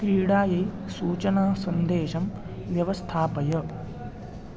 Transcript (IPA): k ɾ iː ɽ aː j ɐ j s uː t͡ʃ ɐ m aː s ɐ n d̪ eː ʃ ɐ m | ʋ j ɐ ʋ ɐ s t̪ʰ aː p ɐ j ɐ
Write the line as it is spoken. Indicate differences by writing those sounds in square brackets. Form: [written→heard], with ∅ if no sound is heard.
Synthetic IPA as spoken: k ɾ iː ɽ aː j ɐ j s uː t͡ʃ ɐ [m→n] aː s ɐ n d̪ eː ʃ ɐ m | ʋ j ɐ ʋ ɐ s t̪ʰ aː p ɐ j ɐ